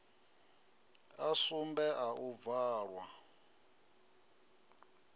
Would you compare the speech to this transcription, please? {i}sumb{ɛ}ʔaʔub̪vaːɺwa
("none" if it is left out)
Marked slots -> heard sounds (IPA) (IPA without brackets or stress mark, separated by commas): a, ɛ